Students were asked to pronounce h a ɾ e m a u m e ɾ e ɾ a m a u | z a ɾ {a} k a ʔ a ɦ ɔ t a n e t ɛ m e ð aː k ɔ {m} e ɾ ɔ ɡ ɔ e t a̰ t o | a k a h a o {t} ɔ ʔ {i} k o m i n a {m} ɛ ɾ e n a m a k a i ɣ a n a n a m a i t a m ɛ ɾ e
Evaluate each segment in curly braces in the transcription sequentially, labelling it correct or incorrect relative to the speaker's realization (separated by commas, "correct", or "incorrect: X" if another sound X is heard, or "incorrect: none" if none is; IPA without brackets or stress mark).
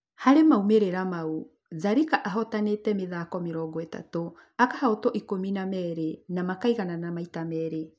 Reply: incorrect: i, correct, correct, correct, correct